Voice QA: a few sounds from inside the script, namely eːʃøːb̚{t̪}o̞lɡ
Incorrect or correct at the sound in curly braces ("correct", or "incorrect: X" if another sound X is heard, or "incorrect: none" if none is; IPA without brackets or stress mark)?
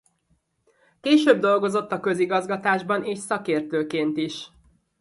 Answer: incorrect: d̪